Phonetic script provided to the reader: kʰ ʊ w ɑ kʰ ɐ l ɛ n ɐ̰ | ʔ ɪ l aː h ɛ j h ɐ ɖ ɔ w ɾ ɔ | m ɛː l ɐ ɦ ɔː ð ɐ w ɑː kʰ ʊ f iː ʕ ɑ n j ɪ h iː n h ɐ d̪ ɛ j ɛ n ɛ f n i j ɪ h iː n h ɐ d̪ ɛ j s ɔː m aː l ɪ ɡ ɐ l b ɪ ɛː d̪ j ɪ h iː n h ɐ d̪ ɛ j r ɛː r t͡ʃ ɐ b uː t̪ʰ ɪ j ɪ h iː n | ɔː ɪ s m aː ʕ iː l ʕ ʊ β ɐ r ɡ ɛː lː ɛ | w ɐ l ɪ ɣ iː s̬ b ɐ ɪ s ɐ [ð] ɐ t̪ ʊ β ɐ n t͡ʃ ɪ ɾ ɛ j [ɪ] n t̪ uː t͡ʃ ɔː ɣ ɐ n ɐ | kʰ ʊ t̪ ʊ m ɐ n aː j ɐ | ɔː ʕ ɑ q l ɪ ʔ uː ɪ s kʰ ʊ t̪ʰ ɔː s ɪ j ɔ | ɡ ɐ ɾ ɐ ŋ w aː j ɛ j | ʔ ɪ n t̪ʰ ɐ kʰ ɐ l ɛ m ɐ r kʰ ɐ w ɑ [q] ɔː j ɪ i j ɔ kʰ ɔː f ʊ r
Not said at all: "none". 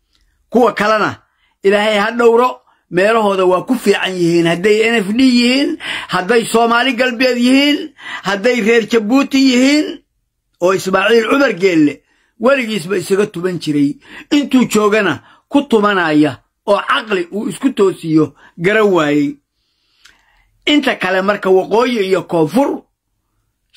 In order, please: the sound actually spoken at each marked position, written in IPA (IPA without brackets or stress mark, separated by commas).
ɣ, ɪ, q